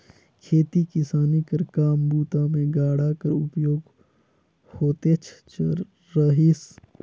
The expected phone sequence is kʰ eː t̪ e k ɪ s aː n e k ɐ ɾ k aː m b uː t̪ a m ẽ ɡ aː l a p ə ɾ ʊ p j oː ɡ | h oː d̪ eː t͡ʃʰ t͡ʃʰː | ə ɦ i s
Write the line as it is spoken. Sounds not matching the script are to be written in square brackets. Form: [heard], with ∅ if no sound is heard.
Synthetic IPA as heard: kʰ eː t̪ [i] k ɪ s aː n [i] k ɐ ɾ k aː m b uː t̪ a m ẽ ɡ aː [ɽ] a [k] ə ɾ ʊ p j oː ɡ | h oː [t̪] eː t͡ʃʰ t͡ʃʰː | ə ɦ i s